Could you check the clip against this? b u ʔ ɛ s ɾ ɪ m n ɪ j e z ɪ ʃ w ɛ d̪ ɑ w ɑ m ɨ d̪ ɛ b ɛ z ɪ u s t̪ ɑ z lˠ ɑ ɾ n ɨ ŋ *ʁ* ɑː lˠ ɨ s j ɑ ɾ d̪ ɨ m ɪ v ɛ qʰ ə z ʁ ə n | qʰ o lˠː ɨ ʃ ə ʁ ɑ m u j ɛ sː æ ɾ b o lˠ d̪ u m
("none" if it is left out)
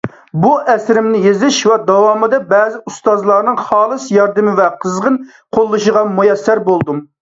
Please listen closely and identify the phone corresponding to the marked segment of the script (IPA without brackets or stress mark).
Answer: χ